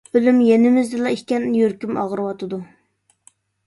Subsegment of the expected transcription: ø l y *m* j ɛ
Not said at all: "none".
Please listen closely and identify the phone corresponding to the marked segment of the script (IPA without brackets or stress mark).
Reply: m